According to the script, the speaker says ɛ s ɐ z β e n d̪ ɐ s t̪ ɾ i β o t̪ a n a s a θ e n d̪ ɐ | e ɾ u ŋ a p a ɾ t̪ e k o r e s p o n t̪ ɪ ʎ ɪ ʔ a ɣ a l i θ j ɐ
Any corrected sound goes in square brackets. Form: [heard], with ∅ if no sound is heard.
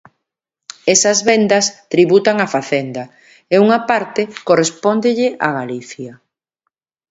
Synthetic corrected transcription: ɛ s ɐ z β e n d̪ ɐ s t̪ ɾ i β [u] t̪ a [ŋ] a [f] a θ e n d̪ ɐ | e [∅] u ŋ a p a ɾ t̪ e k o r e s p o n [d̪] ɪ ʎ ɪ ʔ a ɣ a l i θ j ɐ